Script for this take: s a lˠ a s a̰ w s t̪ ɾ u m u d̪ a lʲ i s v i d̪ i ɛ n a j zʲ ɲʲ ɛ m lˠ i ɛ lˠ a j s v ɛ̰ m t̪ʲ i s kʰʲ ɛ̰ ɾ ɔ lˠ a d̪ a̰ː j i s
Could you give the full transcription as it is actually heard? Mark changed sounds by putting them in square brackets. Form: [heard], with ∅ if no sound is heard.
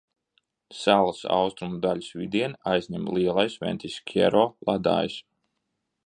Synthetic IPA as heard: s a lˠ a s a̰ w s t̪ ɾ u m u d̪ a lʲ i s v i d̪ i ɛ n a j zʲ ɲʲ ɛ m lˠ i ɛ lˠ a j s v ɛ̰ [n] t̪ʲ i s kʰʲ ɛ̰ ɾ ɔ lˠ a d̪ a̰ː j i s